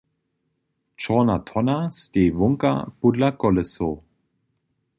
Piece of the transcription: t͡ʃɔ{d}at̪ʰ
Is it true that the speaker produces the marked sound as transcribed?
no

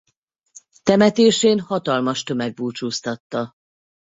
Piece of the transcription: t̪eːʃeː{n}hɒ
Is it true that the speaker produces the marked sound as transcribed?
yes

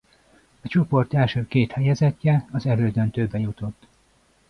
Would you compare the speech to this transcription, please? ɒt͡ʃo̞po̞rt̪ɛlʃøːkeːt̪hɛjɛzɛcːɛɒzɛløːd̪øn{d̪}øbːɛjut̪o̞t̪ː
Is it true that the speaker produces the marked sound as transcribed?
no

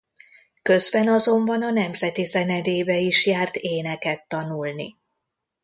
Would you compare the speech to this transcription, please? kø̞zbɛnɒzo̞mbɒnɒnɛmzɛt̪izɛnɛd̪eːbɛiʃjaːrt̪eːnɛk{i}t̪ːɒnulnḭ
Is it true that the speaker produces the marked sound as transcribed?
no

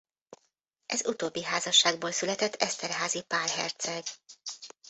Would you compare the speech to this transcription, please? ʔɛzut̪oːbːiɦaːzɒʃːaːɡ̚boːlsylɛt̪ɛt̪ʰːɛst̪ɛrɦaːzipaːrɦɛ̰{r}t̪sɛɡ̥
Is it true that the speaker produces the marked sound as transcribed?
yes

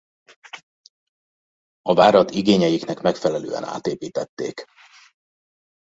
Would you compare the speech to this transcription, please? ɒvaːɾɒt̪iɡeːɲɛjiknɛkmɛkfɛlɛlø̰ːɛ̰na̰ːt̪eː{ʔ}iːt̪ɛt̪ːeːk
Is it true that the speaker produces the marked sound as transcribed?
no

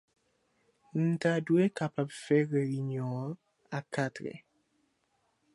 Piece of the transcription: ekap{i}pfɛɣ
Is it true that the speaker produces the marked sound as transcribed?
no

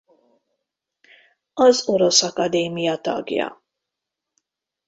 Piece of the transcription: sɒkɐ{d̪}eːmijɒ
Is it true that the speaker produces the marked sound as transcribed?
yes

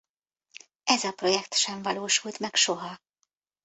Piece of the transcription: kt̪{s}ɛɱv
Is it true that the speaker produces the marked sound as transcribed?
no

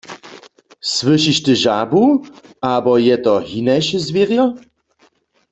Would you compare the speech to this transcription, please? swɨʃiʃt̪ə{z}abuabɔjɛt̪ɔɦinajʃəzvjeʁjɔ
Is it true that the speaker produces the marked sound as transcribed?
no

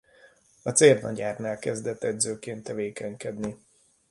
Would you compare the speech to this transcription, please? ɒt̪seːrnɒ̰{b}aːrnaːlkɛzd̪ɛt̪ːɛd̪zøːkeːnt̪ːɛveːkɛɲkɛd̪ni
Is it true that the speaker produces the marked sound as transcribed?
no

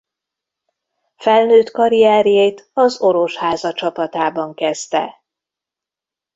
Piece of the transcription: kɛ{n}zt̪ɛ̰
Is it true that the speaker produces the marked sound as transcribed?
no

